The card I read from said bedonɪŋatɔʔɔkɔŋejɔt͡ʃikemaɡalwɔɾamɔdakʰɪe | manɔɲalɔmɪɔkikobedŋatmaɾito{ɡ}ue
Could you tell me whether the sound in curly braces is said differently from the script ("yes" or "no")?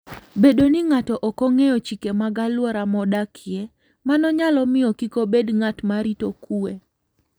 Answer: yes